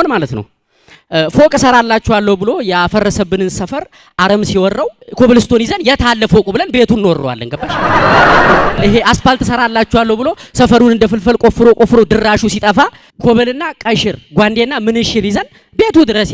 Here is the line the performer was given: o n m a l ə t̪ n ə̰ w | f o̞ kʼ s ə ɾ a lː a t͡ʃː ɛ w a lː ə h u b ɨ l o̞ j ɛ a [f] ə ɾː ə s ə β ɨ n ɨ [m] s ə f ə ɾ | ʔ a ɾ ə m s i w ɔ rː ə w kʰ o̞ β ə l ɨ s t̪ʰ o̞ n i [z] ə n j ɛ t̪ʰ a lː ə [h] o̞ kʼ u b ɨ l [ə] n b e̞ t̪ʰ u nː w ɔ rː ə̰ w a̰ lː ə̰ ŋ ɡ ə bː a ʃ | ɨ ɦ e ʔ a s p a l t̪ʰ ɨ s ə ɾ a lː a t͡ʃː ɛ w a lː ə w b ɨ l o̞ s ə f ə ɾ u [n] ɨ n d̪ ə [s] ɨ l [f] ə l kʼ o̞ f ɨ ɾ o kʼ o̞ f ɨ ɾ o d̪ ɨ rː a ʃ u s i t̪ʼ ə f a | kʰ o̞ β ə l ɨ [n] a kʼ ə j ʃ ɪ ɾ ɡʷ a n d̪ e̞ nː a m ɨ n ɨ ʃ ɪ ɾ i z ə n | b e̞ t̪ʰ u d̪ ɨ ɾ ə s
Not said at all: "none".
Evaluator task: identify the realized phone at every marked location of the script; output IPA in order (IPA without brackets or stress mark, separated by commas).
f, n, z, f, ə, n, f, f, nː